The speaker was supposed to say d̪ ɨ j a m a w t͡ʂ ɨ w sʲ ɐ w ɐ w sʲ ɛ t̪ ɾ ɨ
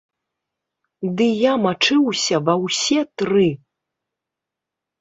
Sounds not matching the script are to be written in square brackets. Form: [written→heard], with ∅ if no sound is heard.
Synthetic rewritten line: d̪ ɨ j a m a [w→∅] t͡ʂ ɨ w sʲ ɐ [w→v] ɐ w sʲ ɛ t̪ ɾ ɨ

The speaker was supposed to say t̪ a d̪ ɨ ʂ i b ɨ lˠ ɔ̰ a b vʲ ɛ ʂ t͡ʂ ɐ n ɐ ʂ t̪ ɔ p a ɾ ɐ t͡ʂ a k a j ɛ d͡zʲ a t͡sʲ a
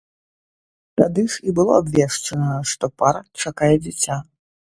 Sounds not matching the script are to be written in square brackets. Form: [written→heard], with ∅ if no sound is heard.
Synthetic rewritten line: t̪ a d̪ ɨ ʂ i b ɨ lˠ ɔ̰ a b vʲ ɛ ʂ t͡ʂ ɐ n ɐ ʂ t̪ ɔ p a ɾ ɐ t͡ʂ a k a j ɛ d͡zʲ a t͡sʲ a

